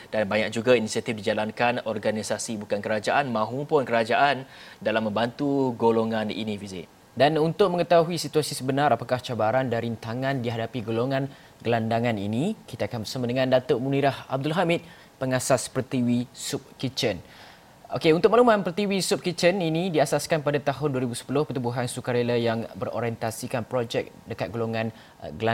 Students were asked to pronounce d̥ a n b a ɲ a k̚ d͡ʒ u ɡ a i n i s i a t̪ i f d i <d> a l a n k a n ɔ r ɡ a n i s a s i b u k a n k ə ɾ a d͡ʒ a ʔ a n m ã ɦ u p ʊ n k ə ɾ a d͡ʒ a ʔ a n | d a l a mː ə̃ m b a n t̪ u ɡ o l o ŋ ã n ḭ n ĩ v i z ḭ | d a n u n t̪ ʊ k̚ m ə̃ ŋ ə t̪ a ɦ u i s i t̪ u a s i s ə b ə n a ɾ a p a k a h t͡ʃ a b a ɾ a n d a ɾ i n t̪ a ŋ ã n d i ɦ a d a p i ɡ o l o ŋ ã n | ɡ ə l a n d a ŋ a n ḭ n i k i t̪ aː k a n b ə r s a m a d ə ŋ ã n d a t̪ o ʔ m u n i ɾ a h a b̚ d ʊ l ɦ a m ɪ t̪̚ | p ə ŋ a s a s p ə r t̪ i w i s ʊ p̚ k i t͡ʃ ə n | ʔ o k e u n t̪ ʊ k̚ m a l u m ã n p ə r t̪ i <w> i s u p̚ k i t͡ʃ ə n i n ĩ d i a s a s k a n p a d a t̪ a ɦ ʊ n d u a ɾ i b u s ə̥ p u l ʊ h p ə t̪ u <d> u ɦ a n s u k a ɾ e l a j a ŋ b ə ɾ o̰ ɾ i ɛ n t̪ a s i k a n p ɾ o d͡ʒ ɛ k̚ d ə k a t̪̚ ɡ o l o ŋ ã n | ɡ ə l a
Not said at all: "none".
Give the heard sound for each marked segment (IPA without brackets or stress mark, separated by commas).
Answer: d͡ʒ, w, b